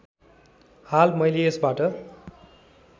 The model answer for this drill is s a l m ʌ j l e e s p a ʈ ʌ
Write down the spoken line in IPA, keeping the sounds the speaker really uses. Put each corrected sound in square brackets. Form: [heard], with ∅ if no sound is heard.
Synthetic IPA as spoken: [h] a l m ʌ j l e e s [b] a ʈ ʌ

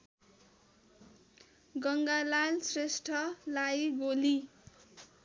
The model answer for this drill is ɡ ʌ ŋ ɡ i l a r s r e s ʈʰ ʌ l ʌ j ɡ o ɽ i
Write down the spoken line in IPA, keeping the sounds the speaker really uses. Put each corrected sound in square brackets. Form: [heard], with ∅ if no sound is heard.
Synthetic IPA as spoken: ɡ ʌ ŋ ɡ [a] l a [l] s r e s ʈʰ ʌ l [a] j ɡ o [l] i

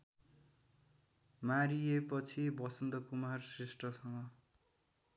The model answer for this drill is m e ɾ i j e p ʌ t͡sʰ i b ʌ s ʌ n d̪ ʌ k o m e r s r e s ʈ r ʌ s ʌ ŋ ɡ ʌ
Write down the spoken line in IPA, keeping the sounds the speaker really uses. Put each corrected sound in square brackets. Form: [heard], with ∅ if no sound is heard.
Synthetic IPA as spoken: m [a] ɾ i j e p ʌ t͡sʰ i b ʌ s ʌ n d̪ ʌ k [u] m [a] r s r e s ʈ r ʌ s ʌ ŋ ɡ ʌ

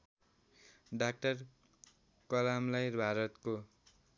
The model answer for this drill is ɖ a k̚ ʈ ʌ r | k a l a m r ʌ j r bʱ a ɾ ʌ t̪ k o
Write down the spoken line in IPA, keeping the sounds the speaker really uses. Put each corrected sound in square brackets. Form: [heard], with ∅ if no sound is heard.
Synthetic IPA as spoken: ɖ a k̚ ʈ ʌ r | k [ʌ] l a m [l] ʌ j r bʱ a ɾ ʌ t̪ k o

